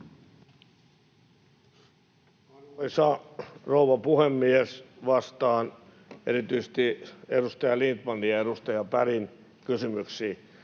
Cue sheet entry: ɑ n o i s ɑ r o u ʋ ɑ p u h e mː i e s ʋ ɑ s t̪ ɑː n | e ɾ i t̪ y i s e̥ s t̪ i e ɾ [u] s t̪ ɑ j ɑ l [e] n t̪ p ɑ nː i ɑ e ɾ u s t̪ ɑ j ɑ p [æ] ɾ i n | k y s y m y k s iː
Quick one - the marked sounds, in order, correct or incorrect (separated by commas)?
correct, incorrect, correct